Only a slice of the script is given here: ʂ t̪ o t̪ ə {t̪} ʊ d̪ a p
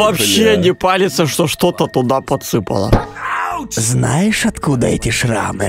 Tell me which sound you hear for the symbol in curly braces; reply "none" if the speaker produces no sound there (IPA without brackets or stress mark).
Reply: t̪